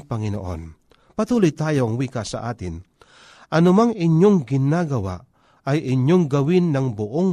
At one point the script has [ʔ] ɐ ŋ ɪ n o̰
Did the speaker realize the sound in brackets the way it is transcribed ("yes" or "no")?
no